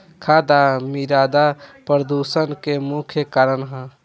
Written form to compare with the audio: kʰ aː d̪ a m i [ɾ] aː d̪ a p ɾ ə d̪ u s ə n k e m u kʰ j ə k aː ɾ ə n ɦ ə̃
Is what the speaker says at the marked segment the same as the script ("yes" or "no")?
yes